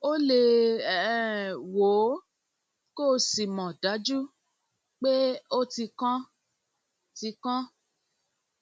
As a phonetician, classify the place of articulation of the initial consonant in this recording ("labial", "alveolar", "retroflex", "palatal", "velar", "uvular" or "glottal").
alveolar